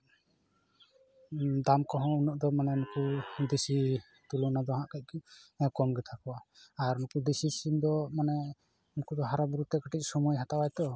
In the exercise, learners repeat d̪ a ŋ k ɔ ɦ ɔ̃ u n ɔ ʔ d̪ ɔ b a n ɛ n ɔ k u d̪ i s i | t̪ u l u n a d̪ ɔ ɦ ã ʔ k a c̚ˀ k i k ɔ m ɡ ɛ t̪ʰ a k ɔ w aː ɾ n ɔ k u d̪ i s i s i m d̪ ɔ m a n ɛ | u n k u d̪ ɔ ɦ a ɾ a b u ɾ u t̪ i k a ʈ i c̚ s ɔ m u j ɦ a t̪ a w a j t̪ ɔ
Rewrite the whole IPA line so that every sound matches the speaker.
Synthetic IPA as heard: d̪ a m k ɔ ɦ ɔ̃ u n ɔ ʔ d̪ ɔ m a n ɛ n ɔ k u d̪ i s i | t̪ u l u n a d̪ ɔ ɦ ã ʔ k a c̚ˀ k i k ɔ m ɡ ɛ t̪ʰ a k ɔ w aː ɾ n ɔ k u d̪ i s i s i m d̪ ɔ m a n ɛ | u n k u d̪ ɔ ɦ a ɾ a b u ɾ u t̪ ɛ k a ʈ i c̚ s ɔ m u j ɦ a t̪ a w a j t̪ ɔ